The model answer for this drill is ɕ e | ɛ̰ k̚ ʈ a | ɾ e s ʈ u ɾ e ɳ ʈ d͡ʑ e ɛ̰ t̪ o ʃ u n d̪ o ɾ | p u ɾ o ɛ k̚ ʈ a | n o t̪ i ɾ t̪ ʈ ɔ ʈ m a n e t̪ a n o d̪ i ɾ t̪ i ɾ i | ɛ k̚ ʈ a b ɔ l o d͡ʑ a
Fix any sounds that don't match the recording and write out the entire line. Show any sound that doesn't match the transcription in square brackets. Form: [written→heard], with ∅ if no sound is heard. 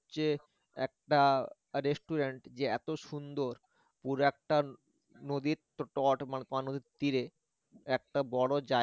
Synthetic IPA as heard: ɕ e | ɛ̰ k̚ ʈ a | ɾ e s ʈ u ɾ e ɳ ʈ d͡ʑ e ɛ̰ t̪ o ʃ u n d̪ o ɾ | p u ɾ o ɛ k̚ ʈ a | n o [t̪→d̪] i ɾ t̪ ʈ ɔ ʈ m a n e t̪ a n o d̪ i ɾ t̪ i ɾ [i→e] | ɛ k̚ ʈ a b ɔ [l→ɽ] o d͡ʑ a

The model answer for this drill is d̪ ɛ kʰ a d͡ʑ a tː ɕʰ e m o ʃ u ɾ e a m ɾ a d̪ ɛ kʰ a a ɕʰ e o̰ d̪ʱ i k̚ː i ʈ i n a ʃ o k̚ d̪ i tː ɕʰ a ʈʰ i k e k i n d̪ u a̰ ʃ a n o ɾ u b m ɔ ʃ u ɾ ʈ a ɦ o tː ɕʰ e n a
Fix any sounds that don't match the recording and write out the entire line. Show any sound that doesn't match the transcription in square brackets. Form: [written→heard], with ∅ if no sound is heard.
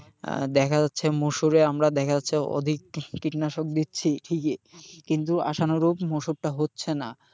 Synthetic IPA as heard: d̪ ɛ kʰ a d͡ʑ a tː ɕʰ e m o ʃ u ɾ e a m ɾ a d̪ ɛ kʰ a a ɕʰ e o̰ d̪ʱ i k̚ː i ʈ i n a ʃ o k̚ d̪ i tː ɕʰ [a→i] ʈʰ i k e k i n [d̪→t̪] u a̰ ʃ a n o ɾ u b m [ɔ→o] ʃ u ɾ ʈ a ɦ o tː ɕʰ e n a

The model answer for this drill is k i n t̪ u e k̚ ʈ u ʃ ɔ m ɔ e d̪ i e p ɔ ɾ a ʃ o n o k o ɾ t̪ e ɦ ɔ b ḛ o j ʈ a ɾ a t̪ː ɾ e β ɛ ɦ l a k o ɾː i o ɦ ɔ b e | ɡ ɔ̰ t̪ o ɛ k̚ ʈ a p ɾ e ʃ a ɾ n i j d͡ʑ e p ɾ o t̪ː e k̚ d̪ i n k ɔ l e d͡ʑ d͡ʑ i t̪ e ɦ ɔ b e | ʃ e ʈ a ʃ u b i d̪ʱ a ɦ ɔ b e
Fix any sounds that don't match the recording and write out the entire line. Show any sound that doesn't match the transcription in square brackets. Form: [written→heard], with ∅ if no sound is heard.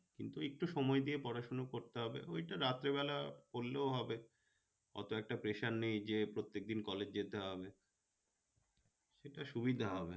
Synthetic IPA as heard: k i n t̪ u e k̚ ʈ u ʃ ɔ m ɔ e d̪ i e p ɔ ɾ a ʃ o n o k o ɾ t̪ e ɦ ɔ b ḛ o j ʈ a ɾ a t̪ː ɾ e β ɛ [ɦ→∅] l a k o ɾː [i→e] o ɦ ɔ b e | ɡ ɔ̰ t̪ o ɛ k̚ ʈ a p ɾ e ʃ a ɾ n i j d͡ʑ e p ɾ o t̪ː e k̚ d̪ i n k ɔ l e d͡ʑ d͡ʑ [i→e] t̪ e ɦ ɔ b e | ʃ e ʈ a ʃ u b i d̪ʱ a ɦ ɔ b e

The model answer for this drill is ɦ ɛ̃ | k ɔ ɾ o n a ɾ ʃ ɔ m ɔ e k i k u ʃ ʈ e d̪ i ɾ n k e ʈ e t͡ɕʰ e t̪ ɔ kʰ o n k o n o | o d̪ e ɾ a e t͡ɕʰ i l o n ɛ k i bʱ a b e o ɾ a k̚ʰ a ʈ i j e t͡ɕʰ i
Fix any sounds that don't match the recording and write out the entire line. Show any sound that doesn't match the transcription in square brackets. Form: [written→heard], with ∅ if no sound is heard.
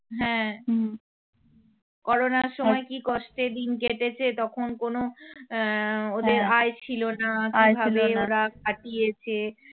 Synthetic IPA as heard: ɦ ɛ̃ | k ɔ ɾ o n a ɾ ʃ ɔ m ɔ e k i k [u→ɔ] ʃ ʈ e d̪ i [ɾ→∅] n k e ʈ e t͡ɕʰ e t̪ ɔ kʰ o n k o n o | o d̪ e ɾ a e t͡ɕʰ i l o n [ɛ→a] k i bʱ a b e o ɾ a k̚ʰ a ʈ i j e t͡ɕʰ [i→e]

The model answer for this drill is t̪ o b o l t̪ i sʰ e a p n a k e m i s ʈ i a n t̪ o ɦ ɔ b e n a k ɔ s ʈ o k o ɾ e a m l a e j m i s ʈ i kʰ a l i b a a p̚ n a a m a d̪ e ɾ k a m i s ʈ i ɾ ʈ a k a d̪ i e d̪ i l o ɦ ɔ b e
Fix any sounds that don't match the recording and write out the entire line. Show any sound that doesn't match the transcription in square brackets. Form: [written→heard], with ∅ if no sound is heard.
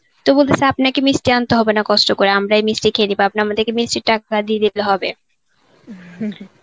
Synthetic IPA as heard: t̪ o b o l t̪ [i→e] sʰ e a p n a k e m i s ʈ i a n t̪ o ɦ ɔ b e n a k ɔ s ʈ o k o ɾ e a m [l→ɾ] a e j m i s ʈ i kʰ [a→e] l i b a a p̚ n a a m a d̪ e ɾ k [a→e] m i s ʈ i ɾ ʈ a k a d̪ i e d̪ i l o ɦ ɔ b e

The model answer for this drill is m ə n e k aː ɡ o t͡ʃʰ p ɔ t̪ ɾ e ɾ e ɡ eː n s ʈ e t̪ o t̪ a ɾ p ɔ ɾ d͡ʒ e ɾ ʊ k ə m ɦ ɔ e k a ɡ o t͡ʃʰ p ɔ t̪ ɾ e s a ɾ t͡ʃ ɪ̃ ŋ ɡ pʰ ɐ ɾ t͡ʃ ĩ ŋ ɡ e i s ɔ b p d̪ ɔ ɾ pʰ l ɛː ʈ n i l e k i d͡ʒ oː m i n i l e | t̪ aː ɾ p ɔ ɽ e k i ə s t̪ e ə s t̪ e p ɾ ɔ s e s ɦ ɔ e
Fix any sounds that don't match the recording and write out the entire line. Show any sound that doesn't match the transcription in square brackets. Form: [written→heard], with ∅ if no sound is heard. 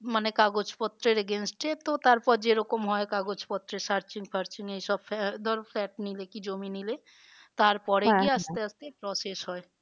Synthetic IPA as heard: m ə n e k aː ɡ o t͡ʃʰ p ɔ t̪ ɾ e ɾ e ɡ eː n s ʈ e t̪ o t̪ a ɾ p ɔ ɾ d͡ʒ e ɾ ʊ k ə m ɦ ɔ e k a ɡ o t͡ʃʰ p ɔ t̪ ɾ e s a ɾ t͡ʃ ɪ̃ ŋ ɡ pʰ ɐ ɾ t͡ʃ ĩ ŋ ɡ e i s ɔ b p d̪ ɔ ɾ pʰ l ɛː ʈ n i l e k i d͡ʒ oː m i n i l e | t̪ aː ɾ p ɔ ɽ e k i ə s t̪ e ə s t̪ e p ɾ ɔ s e s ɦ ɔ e

